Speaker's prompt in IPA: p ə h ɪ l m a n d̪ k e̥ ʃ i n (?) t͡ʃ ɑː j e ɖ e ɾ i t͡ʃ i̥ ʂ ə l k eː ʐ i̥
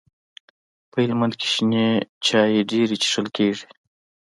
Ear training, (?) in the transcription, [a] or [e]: e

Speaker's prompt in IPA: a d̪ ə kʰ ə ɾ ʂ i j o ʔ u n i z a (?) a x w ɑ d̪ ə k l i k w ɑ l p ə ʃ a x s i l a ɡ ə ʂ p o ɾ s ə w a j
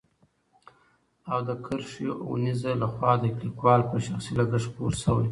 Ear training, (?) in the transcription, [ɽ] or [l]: l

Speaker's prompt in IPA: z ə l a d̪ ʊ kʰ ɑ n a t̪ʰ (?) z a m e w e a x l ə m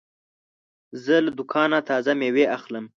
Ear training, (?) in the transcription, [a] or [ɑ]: ɑ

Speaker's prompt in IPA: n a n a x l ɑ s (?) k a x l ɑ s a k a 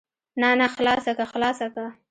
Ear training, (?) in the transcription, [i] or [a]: a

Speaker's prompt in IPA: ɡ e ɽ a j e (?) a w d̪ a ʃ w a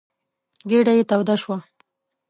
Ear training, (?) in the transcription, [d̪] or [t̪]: t̪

